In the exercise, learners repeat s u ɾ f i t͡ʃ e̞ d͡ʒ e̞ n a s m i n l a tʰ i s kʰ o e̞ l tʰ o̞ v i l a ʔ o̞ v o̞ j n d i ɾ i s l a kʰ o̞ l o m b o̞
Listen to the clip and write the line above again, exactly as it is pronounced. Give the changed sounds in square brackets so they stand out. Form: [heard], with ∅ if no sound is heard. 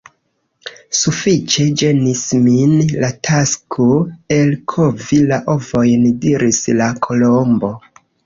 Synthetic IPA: s u [∅] f i t͡ʃ e̞ d͡ʒ e̞ n [i] s m i n l a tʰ [a] s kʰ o e̞ l [kʰ] o̞ v i l a ʔ o̞ v o̞ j n d i ɾ i s l a kʰ o̞ l o m b o̞